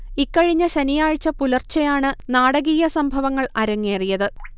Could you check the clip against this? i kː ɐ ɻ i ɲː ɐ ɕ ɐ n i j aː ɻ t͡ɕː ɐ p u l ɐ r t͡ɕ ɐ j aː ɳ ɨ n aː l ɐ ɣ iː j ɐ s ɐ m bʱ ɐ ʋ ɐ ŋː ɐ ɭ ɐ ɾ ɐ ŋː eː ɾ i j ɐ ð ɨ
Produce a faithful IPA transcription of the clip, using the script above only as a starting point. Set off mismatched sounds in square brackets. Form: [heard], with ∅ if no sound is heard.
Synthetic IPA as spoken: i kː ɐ ɻ i ɲː ɐ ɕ ɐ n i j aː ɻ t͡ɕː ɐ p u l ɐ r t͡ɕ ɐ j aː ɳ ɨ n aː [ɽ] ɐ ɣ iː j ɐ s ɐ m bʱ ɐ ʋ ɐ ŋː ɐ ɭ ɐ ɾ ɐ ŋː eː [r] i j ɐ ð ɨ